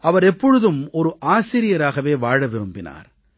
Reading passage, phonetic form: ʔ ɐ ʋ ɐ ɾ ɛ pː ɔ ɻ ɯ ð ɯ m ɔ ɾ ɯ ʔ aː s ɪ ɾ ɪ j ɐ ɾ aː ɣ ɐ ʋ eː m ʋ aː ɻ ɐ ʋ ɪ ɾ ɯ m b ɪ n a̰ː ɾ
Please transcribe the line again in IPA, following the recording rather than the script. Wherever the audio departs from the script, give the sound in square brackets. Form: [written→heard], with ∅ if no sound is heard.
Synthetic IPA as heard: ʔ ɐ ʋ ɐ ɾ ɛ pː ɔ ɻ ɯ ð ɯ m ɔ ɾ ɯ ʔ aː s ɪ ɾ ɪ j ɐ ɾ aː ɣ ɐ ʋ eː [m→∅] ʋ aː ɻ ɐ ʋ ɪ ɾ ɯ m b ɪ n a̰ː ɾ